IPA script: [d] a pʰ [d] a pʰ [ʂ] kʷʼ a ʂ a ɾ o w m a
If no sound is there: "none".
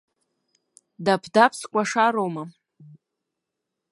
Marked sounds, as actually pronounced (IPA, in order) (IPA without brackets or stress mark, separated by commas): d, d, s